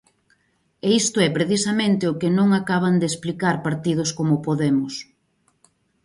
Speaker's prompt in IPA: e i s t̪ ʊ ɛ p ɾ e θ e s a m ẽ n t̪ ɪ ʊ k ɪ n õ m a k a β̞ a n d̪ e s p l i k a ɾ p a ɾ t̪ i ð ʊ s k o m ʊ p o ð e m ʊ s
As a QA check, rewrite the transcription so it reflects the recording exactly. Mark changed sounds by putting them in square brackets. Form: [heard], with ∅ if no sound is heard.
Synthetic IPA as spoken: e i s t̪ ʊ ɛ p ɾ e θ [i] s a m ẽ n t̪ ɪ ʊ k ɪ n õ [ŋ] a k a β̞ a n d̪ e s p l i k a ɾ p a ɾ t̪ i ð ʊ s k o m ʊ p o ð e m ʊ s